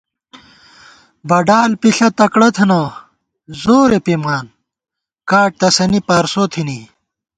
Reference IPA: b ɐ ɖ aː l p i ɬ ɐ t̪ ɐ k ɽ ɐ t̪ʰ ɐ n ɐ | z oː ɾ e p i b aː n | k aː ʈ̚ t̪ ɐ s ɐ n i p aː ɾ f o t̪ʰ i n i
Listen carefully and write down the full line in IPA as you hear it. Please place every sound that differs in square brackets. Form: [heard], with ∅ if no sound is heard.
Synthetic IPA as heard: b ɐ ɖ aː l p i ɬ ɐ t̪ ɐ k ɽ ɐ t̪ʰ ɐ n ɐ | z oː ɾ e p i [m] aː n | k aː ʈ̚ t̪ ɐ s ɐ n i p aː ɾ [s] o t̪ʰ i n i